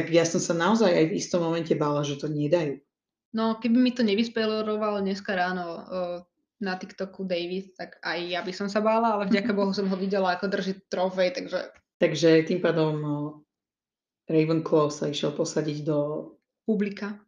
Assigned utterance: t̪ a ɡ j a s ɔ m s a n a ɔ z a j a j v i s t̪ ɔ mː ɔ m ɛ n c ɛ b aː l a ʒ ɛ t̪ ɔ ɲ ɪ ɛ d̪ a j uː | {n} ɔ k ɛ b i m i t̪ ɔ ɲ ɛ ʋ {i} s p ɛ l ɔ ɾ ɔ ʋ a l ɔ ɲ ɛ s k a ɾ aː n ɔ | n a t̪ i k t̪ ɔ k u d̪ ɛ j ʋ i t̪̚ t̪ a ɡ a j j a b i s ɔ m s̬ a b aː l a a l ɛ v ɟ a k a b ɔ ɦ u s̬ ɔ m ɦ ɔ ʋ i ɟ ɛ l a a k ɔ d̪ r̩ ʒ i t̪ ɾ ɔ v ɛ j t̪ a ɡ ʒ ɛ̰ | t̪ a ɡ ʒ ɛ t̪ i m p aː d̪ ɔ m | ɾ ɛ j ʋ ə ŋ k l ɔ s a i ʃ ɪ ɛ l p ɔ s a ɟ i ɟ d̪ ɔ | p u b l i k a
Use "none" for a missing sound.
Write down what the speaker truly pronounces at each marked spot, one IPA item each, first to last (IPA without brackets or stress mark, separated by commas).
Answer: n, i